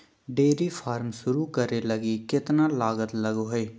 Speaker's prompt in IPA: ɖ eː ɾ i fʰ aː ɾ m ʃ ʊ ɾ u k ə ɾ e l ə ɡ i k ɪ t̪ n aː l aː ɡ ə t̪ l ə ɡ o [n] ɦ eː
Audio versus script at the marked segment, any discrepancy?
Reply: yes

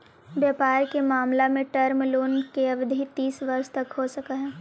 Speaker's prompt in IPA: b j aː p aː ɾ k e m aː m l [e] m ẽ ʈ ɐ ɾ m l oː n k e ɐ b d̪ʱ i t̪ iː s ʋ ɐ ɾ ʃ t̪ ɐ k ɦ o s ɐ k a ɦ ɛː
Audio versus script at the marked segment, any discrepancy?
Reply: yes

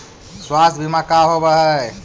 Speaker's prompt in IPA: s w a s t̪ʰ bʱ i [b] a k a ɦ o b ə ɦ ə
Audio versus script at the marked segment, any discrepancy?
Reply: yes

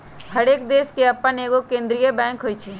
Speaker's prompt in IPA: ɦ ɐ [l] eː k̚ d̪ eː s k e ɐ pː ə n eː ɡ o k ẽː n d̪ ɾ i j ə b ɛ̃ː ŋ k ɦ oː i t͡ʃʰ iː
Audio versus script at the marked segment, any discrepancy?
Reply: yes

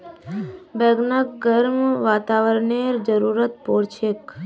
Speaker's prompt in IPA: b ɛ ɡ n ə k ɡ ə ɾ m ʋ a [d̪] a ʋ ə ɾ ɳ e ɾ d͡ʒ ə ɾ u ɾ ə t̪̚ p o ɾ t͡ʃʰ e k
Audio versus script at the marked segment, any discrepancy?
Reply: yes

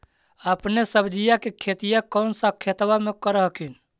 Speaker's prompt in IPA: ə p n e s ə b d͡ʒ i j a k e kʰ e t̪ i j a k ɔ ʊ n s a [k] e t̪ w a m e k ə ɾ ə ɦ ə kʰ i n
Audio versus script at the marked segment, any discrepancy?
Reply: yes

